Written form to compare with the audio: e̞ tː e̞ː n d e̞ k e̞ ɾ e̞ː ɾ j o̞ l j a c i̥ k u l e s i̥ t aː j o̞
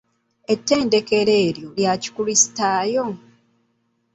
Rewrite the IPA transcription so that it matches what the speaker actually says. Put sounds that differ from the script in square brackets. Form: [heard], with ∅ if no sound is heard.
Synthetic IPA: e̞ tː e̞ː n d e̞ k e̞ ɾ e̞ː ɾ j o̞ l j a c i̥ k u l [i] s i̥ t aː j o̞